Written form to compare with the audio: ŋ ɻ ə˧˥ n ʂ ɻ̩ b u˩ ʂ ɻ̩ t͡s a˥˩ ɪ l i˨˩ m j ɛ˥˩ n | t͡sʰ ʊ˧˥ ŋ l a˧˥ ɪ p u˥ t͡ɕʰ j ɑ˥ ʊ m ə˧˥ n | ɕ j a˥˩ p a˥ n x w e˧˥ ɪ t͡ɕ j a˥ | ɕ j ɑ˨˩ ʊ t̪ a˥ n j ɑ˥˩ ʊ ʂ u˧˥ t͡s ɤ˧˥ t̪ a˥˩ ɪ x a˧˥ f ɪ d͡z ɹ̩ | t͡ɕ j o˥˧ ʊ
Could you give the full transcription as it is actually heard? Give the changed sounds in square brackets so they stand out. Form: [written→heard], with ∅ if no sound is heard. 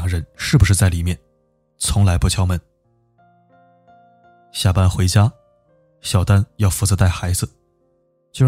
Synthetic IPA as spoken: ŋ ɻ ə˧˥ n ʂ ɻ̩ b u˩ ʂ ɻ̩ t͡s a˥˩ ɪ l i˨˩ m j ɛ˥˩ n | t͡sʰ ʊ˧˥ ŋ l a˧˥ ɪ p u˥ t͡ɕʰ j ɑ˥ ʊ m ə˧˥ n | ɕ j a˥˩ p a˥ n x w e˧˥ ɪ t͡ɕ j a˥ | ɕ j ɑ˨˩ ʊ t̪ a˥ n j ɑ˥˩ ʊ [ʂ→f] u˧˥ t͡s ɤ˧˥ t̪ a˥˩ ɪ x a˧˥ [f→∅] ɪ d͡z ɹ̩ | t͡ɕ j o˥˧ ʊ